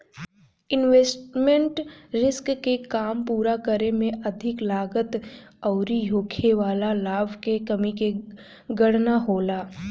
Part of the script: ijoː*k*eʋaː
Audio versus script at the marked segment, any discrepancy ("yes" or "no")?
yes